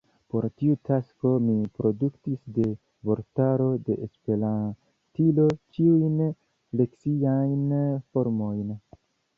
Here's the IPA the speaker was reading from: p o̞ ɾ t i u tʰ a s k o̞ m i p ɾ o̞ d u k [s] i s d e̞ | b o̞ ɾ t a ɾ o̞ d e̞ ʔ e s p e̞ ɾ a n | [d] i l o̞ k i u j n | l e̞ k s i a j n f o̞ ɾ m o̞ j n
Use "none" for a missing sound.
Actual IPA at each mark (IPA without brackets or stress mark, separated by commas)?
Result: t, t